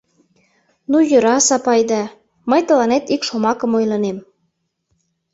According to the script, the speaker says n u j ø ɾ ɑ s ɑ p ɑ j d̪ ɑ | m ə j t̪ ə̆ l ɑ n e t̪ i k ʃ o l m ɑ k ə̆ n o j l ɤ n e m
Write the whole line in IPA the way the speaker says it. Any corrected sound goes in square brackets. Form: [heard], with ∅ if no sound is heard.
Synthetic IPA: n u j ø ɾ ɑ s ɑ p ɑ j d̪ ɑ | m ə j t̪ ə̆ l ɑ n e t̪ i k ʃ o [∅] m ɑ k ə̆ [m] o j l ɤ n e m